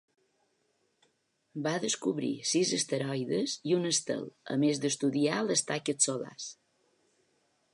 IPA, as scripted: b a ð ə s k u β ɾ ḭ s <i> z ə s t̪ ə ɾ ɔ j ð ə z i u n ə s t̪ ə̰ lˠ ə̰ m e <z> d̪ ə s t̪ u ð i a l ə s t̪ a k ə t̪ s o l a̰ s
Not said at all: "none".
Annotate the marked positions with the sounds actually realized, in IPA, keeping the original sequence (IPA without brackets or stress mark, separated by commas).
i, z